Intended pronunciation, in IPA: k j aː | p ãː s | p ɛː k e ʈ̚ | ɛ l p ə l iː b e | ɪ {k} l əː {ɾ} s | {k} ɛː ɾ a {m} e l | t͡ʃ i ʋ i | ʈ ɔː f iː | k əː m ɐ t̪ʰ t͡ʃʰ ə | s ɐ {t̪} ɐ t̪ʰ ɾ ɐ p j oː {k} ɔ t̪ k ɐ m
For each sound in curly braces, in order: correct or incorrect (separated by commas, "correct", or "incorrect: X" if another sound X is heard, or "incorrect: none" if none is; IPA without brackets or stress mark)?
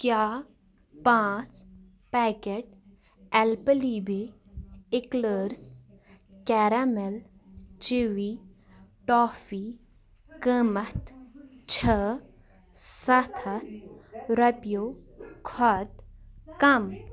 correct, correct, correct, correct, incorrect: t̪ʰ, incorrect: kʰ